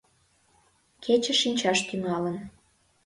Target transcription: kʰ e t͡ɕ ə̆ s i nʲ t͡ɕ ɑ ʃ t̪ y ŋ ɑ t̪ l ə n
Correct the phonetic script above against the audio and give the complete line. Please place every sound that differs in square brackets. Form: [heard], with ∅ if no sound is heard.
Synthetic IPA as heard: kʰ e t͡ɕ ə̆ [ʃ] i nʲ t͡ɕ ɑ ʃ t̪ y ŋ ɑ [∅] l ə n